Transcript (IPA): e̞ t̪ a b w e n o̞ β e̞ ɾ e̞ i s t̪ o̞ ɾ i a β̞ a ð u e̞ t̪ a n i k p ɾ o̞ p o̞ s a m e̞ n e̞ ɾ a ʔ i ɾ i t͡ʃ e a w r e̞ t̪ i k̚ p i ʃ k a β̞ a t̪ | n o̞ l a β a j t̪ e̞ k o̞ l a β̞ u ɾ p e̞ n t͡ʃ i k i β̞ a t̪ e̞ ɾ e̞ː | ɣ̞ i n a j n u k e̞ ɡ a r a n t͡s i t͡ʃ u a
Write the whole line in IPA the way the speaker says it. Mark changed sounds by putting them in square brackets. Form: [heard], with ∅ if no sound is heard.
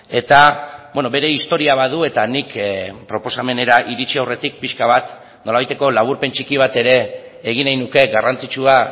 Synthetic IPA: e̞ t̪ a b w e n o̞ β e̞ ɾ e̞ i s t̪ o̞ ɾ i a β̞ a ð u e̞ t̪ a n i k p ɾ o̞ p o̞ s a m e̞ n e̞ ɾ a ʔ i ɾ i t͡ʃ [i] a w r e̞ t̪ i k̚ p i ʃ k a β̞ a t̪ | n o̞ l a β a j t̪ e̞ k o̞ l a β̞ u ɾ p e̞ n t͡ʃ i k i β̞ a t̪ e̞ ɾ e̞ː | ɣ̞ i n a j n u k e̞ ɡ a r a n t͡s i t͡ʃ u a